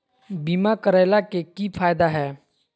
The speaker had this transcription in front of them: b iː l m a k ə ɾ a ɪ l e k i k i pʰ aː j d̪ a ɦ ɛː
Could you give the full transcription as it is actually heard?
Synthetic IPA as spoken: b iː m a k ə ɾ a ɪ l a k e k i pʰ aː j d̪ a ɦ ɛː